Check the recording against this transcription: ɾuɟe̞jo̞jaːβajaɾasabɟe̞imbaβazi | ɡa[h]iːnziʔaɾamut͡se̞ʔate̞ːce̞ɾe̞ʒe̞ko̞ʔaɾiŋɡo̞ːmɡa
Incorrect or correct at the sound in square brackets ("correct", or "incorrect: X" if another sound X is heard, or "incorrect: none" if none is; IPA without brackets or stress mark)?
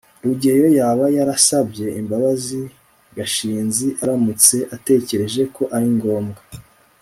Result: incorrect: ʃ